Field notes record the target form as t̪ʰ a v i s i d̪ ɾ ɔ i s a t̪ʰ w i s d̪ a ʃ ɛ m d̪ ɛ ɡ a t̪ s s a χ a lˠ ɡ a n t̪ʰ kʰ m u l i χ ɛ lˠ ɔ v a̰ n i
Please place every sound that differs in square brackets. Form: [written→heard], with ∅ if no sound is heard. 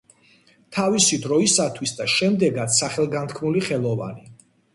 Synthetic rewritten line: t̪ʰ a v i s i d̪ ɾ ɔ i s a t̪ʰ w i s d̪ a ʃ ɛ m d̪ ɛ ɡ a t̪ s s a χ [a→ɛ] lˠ ɡ a n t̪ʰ kʰ m u l i χ ɛ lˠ ɔ v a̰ n i